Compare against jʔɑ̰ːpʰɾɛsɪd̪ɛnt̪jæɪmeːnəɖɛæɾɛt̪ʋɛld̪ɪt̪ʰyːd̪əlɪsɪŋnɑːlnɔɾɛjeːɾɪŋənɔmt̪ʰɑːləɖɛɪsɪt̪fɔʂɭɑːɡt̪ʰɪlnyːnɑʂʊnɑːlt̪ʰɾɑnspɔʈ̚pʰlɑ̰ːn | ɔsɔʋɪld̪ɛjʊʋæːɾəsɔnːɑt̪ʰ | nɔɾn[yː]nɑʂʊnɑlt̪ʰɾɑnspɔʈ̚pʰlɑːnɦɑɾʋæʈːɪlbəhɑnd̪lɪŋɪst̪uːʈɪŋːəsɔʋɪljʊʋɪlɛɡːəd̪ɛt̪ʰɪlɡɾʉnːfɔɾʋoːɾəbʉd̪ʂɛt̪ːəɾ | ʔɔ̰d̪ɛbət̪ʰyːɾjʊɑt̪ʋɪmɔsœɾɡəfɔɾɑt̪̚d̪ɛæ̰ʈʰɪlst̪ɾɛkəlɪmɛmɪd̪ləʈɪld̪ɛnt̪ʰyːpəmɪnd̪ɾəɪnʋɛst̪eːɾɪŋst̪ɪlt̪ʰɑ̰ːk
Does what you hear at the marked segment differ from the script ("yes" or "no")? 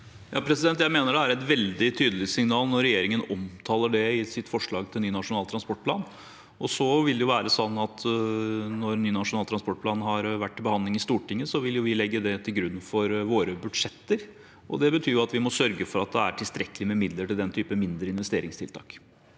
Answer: no